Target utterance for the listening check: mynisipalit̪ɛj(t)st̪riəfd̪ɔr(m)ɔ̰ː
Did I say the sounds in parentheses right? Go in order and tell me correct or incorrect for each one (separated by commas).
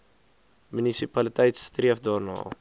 correct, incorrect